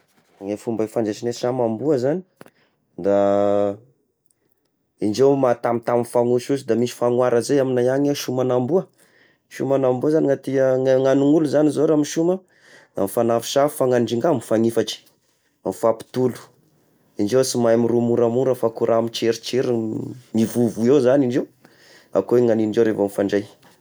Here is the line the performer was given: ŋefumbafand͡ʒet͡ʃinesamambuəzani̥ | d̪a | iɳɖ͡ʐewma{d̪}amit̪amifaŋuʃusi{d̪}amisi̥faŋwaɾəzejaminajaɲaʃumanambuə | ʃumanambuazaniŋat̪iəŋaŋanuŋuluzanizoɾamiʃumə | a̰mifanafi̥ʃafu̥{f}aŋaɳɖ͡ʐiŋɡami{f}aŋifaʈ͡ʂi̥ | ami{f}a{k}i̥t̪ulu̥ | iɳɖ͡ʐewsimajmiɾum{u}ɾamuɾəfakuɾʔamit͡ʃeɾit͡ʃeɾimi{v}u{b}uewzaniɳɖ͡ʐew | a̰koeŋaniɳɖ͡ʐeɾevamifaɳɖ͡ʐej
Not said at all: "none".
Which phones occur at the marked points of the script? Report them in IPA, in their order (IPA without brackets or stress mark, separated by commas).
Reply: t̪, d̪, f, f, f, p, u, v, v